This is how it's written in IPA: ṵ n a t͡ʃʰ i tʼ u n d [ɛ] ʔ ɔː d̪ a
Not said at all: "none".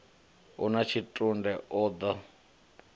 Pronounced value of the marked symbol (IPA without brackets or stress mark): ɛ